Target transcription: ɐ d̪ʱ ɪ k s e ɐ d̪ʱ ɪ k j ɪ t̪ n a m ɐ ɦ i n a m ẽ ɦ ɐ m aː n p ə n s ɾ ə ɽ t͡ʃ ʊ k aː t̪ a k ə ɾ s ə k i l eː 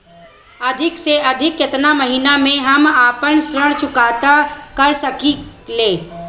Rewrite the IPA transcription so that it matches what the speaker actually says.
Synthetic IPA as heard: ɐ d̪ʱ ɪ k s e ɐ d̪ʱ ɪ k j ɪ t̪ n a m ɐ ɦ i n a m ẽ ɦ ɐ m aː p ə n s ɾ ə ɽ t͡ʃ ʊ k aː t̪ a k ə ɾ s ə k i l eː